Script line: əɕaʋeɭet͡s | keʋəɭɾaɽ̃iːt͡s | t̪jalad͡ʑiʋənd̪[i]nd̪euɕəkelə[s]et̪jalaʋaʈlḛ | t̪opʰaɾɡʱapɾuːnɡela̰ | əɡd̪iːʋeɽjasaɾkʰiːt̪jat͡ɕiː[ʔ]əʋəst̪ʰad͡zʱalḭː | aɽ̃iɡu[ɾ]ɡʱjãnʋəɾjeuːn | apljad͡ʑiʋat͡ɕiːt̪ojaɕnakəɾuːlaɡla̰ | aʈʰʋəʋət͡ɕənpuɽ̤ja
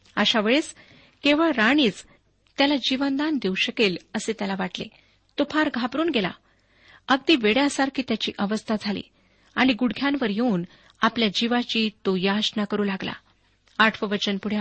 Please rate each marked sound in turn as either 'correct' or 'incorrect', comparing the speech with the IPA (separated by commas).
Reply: incorrect, correct, correct, incorrect